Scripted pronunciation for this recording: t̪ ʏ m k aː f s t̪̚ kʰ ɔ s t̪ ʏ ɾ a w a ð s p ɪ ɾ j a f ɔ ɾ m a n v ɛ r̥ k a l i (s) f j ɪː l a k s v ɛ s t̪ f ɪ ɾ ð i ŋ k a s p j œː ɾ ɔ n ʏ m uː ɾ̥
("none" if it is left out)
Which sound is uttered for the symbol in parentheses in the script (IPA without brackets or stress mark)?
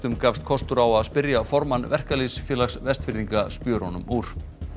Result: s